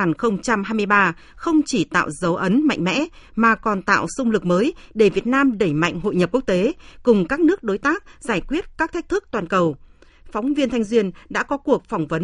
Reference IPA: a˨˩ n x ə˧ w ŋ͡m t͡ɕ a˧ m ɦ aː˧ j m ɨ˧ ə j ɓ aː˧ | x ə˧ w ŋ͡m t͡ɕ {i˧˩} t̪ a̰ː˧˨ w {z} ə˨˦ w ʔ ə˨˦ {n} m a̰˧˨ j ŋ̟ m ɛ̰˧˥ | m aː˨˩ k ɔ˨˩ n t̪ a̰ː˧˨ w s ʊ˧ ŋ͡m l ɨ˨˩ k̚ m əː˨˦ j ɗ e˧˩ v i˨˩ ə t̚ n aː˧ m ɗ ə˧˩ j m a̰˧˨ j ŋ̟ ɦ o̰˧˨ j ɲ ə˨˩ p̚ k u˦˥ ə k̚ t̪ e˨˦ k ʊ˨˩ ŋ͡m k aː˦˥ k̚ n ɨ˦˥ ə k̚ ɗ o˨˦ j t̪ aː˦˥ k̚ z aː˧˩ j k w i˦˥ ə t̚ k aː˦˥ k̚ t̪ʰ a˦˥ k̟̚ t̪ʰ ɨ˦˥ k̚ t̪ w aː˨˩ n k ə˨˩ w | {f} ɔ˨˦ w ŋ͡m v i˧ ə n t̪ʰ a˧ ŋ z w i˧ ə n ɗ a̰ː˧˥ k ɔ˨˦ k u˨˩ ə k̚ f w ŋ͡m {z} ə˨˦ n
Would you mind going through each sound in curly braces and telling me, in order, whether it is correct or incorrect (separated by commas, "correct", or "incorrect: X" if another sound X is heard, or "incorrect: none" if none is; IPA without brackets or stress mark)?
correct, correct, correct, correct, incorrect: v